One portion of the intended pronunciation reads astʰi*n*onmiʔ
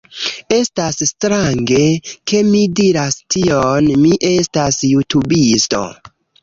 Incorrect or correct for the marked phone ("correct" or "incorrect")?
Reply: incorrect